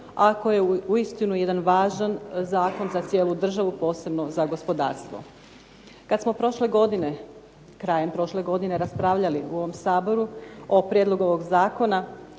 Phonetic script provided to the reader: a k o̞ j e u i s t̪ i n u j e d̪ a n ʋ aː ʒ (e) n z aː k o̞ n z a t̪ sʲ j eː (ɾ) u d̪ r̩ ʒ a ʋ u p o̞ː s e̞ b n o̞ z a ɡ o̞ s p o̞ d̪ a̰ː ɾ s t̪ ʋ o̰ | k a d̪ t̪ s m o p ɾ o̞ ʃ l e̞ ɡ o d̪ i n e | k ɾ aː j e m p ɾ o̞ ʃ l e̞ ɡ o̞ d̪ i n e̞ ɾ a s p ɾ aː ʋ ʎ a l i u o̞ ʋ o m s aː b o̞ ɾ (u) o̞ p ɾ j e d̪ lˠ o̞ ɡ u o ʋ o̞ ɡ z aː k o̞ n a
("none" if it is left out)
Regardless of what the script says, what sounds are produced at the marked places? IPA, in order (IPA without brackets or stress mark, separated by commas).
a, l, u